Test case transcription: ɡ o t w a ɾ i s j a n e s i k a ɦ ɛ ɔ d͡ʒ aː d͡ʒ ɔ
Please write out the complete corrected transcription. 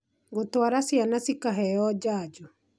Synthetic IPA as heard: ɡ o t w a ɾ a s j a n a s i k a ɦ ɛ ɔ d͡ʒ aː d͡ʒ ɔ